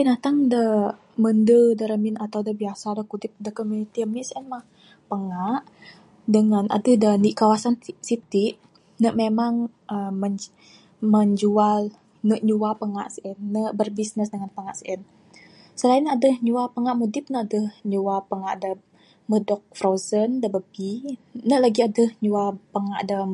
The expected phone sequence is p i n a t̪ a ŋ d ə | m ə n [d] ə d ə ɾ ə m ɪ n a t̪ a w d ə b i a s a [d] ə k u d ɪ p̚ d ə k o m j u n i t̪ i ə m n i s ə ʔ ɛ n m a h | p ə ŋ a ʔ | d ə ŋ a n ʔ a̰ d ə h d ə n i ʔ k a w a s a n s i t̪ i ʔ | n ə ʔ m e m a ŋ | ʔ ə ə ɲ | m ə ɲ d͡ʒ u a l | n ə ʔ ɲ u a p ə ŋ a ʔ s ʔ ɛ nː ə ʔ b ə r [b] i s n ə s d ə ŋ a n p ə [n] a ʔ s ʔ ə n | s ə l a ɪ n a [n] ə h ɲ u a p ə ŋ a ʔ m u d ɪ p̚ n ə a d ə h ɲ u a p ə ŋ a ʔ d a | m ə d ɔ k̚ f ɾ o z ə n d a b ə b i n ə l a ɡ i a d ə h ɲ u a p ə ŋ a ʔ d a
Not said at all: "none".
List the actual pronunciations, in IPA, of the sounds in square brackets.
d, d, b, ŋ, d

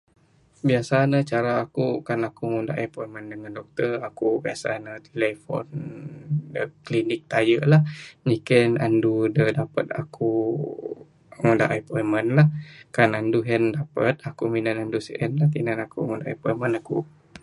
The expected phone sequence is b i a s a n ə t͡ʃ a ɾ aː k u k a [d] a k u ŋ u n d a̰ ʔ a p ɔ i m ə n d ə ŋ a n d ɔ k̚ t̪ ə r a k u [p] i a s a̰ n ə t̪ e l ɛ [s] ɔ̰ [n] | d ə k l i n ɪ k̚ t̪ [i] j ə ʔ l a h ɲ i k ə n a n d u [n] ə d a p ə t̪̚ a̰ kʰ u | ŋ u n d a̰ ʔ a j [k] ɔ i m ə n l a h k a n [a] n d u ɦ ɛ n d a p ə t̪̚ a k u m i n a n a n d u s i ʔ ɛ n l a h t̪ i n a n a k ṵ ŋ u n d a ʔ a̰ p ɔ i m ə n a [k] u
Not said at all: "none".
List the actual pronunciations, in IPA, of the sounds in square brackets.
n, b, f, n, a, d, p, a, k

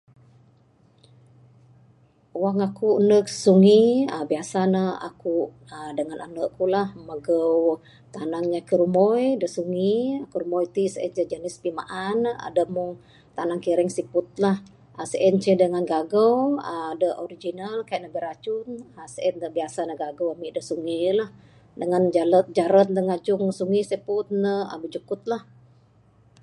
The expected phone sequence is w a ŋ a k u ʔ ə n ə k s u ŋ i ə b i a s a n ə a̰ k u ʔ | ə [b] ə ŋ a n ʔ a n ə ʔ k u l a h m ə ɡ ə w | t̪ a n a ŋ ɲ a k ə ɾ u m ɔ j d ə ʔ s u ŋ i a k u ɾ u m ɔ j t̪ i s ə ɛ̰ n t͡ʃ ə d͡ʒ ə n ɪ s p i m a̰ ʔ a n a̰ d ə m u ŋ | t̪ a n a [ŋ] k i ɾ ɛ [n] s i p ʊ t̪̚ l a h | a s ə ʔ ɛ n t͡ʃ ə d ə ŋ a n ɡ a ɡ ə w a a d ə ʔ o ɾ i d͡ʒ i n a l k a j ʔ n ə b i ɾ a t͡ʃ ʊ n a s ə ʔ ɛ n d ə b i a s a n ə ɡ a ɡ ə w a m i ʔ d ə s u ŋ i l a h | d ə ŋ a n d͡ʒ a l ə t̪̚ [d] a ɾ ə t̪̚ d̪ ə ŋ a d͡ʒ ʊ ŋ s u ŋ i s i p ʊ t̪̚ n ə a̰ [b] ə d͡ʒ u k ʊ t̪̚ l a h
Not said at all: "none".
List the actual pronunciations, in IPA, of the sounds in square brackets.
d, ŋ, ŋ, d͡ʒ, b

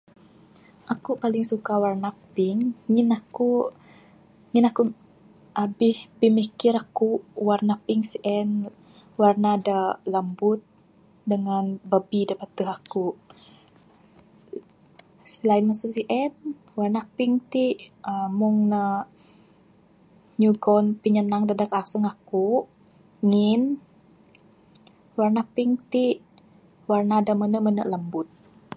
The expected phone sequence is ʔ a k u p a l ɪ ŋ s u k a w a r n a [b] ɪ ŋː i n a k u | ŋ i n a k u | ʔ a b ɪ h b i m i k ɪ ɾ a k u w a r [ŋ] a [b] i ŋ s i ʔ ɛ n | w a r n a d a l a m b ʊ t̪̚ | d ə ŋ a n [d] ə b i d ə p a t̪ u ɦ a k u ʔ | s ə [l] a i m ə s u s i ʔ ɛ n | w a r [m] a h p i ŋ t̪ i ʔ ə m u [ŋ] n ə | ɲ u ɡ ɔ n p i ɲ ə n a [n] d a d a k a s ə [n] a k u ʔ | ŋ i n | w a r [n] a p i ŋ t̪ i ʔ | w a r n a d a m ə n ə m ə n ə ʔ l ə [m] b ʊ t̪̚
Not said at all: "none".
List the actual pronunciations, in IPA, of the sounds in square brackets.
p, n, p, b, l, n, ŋ, ŋ, ŋ, n, m

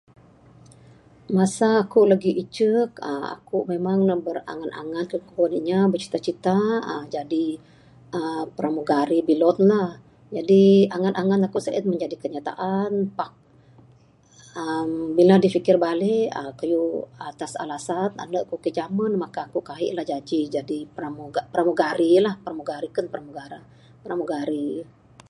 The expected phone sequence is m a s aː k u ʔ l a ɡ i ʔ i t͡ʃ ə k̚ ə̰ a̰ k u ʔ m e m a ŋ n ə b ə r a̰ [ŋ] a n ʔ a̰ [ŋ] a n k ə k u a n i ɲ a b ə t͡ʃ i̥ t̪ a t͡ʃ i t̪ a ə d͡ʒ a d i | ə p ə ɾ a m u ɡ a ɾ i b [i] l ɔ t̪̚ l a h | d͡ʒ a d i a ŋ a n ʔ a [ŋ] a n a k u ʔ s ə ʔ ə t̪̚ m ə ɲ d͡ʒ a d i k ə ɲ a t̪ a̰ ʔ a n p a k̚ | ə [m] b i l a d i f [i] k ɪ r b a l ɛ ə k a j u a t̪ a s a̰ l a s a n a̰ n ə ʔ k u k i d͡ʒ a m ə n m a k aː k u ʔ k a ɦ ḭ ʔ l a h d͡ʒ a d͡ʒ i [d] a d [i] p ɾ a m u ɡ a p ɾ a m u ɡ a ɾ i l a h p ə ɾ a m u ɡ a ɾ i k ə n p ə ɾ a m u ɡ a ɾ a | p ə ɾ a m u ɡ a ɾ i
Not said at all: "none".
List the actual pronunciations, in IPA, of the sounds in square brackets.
ŋ, ŋ, i, ŋ, m, i, d͡ʒ, i

